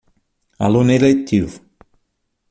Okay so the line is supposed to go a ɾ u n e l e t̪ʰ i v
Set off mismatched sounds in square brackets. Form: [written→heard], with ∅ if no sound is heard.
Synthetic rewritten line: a [ɾ→l] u n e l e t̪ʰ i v